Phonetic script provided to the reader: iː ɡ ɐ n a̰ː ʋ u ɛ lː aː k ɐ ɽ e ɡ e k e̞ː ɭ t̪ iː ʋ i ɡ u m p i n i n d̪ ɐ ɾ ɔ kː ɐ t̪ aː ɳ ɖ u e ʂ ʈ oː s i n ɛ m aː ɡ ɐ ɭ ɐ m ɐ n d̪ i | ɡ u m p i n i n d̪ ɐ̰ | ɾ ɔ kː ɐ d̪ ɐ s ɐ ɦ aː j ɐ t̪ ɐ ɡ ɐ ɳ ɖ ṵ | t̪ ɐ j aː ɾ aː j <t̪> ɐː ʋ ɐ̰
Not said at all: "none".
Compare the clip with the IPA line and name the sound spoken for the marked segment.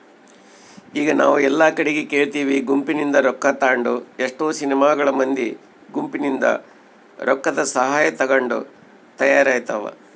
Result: t̪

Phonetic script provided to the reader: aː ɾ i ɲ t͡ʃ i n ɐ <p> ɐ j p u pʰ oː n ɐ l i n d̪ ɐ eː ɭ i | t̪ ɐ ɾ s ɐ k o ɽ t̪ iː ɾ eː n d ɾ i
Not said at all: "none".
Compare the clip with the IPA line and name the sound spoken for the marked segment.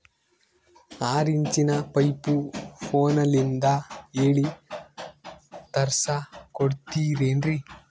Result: p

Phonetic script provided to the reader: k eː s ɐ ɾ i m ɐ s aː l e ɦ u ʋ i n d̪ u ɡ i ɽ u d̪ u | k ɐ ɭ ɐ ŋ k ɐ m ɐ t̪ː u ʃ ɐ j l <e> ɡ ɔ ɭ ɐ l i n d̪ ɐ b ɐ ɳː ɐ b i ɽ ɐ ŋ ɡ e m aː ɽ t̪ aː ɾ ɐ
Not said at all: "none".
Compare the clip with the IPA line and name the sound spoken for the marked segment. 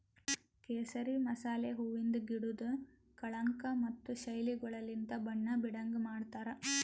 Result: i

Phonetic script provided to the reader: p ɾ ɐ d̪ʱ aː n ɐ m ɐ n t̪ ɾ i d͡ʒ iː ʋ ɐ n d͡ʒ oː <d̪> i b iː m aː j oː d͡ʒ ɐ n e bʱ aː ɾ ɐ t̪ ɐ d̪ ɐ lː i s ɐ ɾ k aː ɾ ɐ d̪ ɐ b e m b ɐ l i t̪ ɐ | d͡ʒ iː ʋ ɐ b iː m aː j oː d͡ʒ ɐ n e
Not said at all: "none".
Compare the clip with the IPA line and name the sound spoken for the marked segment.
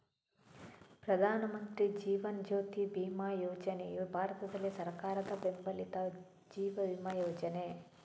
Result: t̪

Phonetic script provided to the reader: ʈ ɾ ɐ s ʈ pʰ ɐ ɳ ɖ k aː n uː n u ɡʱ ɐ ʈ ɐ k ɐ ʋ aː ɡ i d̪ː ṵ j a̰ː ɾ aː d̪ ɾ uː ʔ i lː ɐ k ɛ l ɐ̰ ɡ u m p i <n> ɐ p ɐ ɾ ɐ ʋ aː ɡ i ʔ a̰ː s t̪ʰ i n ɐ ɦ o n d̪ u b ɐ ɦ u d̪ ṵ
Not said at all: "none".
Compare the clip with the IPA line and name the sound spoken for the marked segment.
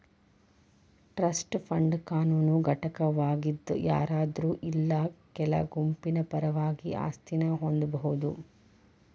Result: n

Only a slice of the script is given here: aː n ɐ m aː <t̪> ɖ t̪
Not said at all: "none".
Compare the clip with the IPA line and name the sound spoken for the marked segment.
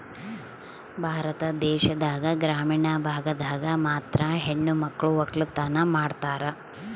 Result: none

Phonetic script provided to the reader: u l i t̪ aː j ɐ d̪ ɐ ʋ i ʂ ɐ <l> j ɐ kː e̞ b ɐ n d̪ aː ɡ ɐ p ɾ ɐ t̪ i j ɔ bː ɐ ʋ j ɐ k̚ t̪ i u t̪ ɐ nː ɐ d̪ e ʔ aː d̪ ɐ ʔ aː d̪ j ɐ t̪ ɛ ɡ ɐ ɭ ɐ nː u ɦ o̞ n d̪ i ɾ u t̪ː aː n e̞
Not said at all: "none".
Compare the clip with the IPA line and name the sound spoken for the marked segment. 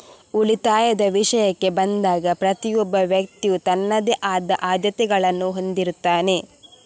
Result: none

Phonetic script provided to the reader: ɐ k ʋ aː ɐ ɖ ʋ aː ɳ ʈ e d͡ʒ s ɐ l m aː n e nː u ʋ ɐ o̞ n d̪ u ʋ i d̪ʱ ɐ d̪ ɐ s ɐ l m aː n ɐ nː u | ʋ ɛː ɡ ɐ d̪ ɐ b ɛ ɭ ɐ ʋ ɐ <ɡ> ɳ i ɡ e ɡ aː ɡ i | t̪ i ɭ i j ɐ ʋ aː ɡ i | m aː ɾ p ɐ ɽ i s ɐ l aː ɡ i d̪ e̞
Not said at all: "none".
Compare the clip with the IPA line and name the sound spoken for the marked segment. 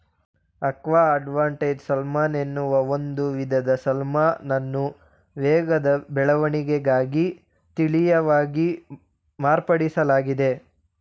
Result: none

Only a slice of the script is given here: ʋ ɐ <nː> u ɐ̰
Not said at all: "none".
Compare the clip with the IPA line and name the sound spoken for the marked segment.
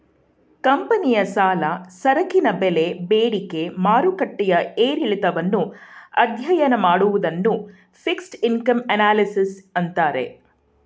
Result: nː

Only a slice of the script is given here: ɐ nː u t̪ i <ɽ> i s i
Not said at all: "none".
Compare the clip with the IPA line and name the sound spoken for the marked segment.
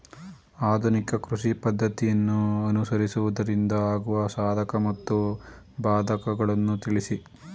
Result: ɭ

